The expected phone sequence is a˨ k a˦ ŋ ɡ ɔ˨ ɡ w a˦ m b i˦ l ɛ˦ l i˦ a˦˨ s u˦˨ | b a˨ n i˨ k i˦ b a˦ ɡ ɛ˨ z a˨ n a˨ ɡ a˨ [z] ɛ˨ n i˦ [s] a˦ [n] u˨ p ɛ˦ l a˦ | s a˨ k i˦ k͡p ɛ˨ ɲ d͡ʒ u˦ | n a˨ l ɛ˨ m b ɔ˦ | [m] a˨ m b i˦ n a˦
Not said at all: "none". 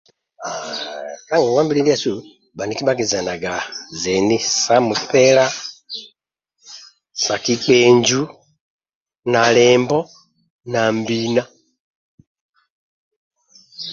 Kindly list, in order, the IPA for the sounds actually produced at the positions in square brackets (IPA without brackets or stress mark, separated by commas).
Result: z, s, m, n